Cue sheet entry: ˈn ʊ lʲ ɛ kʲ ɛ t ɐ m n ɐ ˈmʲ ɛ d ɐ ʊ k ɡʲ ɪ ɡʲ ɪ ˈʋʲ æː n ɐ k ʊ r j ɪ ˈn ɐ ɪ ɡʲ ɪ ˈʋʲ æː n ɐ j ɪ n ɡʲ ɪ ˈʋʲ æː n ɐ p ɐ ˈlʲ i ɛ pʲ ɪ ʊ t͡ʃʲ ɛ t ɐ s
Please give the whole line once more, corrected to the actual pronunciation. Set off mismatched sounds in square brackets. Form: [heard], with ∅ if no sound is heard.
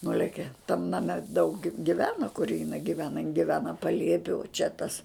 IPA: ˈn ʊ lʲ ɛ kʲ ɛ t ɐ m n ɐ ˈmʲ ɛ d ɐ ʊ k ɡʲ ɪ ɡʲ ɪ ˈʋʲ æː n ɐ k ʊ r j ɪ ˈn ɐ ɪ ɡʲ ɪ ˈʋʲ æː n ɐ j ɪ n ɡʲ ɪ ˈʋʲ æː n ɐ p ɐ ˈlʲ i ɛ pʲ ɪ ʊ t͡ʃʲ ɛ t ɐ s